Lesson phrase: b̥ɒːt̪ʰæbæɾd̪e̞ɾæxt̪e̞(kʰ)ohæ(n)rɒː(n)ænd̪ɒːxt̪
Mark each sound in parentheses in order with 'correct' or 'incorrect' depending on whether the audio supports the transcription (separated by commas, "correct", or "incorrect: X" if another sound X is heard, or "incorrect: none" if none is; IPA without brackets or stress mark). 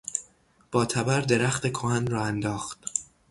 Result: correct, correct, incorrect: none